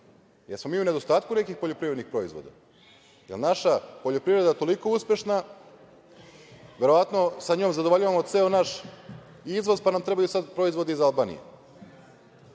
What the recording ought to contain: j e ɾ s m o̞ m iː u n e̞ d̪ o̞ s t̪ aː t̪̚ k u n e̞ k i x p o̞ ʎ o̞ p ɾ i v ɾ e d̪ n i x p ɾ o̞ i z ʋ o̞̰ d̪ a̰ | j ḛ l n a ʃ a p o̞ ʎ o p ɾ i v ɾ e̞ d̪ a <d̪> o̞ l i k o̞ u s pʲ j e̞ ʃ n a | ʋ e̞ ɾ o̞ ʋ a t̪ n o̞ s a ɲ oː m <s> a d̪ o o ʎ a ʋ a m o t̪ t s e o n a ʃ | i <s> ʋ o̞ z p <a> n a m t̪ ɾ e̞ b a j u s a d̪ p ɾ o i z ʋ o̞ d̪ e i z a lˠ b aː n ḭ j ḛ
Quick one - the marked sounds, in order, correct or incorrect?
incorrect: t̪, incorrect: z, incorrect: z, correct

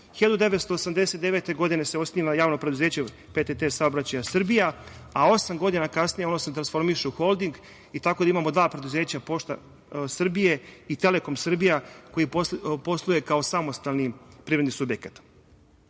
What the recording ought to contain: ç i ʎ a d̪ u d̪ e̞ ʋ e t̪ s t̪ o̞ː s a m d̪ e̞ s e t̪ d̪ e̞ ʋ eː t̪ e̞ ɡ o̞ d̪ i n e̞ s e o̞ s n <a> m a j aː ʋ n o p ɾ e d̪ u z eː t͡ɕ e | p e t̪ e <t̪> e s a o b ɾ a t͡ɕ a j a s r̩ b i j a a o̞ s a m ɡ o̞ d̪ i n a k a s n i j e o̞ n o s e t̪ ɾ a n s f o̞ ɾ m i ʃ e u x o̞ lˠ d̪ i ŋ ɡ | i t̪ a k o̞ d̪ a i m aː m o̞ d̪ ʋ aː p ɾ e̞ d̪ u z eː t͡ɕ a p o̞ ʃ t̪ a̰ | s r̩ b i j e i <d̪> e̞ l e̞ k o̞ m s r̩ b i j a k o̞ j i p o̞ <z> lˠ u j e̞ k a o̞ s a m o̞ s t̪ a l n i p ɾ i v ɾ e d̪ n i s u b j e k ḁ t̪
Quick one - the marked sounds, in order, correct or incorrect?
incorrect: i, correct, incorrect: t̪, incorrect: s

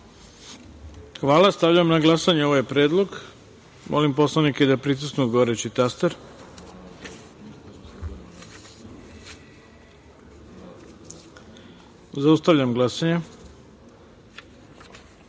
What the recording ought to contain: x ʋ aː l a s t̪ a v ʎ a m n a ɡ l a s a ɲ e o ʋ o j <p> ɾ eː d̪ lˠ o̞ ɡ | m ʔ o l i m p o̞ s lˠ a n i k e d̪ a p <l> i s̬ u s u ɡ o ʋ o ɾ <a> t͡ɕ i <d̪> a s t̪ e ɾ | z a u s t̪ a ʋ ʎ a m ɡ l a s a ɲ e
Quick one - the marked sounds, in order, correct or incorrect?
correct, incorrect: ɾ, incorrect: e, incorrect: t̪

